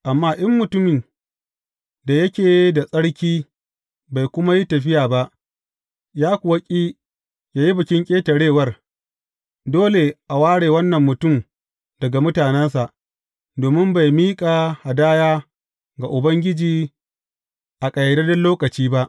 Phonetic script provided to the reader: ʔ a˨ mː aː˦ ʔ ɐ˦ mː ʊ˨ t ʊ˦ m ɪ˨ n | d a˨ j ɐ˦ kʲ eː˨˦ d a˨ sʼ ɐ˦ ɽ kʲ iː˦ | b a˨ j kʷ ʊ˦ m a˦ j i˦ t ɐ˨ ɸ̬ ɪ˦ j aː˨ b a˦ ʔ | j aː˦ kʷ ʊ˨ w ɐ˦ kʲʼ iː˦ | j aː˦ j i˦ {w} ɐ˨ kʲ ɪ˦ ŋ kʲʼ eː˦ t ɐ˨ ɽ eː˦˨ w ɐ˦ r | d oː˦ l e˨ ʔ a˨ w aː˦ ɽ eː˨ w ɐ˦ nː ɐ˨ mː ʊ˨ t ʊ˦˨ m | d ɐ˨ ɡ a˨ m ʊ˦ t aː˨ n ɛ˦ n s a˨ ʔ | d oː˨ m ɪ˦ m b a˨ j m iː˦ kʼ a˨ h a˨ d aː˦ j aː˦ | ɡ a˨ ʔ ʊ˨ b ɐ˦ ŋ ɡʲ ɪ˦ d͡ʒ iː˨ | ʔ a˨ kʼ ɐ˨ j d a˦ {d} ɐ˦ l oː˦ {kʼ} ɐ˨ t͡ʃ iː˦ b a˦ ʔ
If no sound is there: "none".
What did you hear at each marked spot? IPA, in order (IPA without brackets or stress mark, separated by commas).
b, d, k